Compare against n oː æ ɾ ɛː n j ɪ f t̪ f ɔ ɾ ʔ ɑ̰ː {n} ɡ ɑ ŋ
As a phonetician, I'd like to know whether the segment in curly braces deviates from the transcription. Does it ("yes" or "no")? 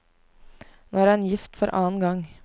no